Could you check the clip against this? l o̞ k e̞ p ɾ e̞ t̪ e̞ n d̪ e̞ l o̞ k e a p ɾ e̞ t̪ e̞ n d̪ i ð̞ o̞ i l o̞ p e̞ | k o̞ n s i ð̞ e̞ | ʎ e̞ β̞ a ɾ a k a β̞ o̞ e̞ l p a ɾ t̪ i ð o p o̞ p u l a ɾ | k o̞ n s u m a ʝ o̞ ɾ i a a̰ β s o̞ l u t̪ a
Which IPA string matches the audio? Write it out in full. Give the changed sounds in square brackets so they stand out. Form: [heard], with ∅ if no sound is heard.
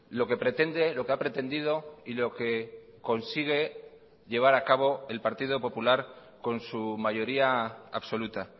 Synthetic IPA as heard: l o̞ k e̞ p ɾ e̞ t̪ e̞ n d̪ e̞ l o̞ k e a p ɾ e̞ t̪ e̞ n d̪ i ð̞ o̞ i l o̞ [k] e̞ | k o̞ n s i [ɣ̞] e̞ | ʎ e̞ β̞ a ɾ a k a β̞ o̞ e̞ l p a ɾ t̪ i ð o p o̞ p u l a ɾ | k o̞ n s u m a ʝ o̞ ɾ i a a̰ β s o̞ l u t̪ a